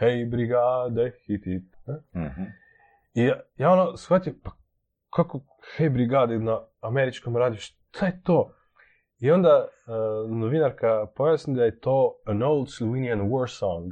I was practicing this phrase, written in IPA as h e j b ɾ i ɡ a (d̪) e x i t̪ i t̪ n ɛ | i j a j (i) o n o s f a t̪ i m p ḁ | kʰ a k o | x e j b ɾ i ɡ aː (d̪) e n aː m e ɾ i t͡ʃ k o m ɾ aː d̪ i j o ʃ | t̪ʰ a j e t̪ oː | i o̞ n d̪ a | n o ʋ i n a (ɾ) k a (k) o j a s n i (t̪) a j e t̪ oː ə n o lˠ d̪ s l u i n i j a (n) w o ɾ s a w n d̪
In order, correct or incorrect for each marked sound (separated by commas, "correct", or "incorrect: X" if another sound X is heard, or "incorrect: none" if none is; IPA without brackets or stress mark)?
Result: correct, incorrect: a, correct, correct, incorrect: p, incorrect: d̪, correct